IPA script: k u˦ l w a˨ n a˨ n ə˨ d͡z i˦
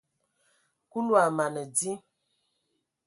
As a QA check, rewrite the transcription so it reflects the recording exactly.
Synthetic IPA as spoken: k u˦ l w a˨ m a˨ n ə˨ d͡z i˦